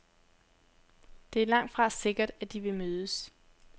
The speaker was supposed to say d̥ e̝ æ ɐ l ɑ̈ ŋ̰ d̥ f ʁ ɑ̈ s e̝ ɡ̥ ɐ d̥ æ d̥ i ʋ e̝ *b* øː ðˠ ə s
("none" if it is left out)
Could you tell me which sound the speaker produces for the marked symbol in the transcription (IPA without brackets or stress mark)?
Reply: m